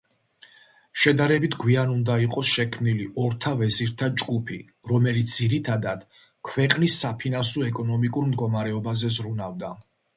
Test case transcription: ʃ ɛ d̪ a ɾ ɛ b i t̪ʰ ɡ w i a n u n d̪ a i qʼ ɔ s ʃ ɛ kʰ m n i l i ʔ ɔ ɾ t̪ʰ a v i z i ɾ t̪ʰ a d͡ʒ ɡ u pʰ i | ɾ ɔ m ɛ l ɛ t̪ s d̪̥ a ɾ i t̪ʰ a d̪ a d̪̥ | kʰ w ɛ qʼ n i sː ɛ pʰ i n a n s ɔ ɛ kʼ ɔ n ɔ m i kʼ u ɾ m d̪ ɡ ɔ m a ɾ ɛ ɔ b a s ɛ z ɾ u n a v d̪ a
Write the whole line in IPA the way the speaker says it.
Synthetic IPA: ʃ ɛ d̪ a ɾ ɛ b i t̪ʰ ɡ w i a n u n d̪ a i qʼ ɔ s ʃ ɛ kʰ m n i l i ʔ ɔ ɾ t̪ʰ a v ɛ z i ɾ t̪ʰ a d͡ʒ ɡ u pʰ i | ɾ ɔ m ɛ l i t̪ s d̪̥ i ɾ i t̪ʰ a d̪ a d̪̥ | kʰ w ɛ qʼ n i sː a pʰ i n a n s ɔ ɛ kʼ ɔ n ɔ m i kʼ u ɾ m d̪ ɡ ɔ m a ɾ ɛ ɔ b a z ɛ z ɾ u n a v d̪ a